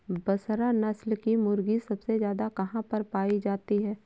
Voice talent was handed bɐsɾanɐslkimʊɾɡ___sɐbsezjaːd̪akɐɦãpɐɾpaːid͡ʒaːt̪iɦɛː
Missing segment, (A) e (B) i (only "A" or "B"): B